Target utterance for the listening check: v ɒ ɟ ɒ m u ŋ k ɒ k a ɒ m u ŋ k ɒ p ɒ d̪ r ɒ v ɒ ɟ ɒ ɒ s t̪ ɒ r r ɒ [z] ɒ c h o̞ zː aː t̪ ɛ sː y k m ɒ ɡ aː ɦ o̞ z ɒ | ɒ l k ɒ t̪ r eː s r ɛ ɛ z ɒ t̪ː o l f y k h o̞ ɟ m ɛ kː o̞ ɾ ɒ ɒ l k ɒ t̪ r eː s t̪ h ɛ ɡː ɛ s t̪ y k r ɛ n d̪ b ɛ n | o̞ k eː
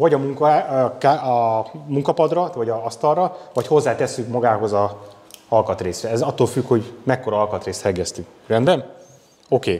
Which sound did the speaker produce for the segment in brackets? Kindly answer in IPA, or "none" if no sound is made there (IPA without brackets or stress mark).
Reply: v